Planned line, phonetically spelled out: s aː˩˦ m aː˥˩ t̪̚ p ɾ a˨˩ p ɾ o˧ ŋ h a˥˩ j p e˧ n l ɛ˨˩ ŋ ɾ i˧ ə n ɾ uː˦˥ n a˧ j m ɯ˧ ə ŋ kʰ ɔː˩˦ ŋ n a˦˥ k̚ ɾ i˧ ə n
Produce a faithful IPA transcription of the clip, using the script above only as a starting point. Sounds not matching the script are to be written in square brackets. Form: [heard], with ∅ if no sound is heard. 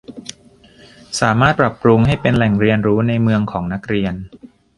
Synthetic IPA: s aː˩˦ m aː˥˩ t̪̚ p ɾ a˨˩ p ɾ [u˧] ŋ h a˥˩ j p e˧ n l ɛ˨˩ ŋ ɾ i˧ ə n ɾ uː˦˥ n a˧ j m ɯ˧ ə ŋ kʰ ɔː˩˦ ŋ n a˦˥ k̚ ɾ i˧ ə n